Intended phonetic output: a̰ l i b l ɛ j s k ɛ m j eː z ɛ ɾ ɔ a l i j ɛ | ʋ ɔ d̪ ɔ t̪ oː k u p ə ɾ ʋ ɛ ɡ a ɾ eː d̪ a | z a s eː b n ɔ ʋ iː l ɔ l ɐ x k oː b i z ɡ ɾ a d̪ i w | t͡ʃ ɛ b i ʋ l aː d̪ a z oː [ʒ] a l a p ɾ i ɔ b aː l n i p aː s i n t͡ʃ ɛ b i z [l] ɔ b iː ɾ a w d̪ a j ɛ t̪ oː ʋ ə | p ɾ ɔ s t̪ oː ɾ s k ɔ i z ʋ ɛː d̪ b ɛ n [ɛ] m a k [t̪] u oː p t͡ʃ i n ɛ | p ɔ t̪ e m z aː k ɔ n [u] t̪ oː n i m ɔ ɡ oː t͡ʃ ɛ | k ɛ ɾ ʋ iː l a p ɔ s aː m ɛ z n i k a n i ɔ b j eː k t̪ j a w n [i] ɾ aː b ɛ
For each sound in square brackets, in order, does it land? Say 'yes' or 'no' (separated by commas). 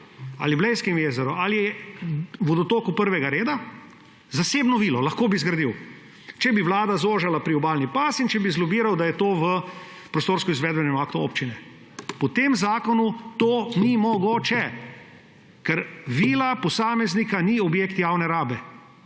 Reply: yes, yes, yes, yes, yes, no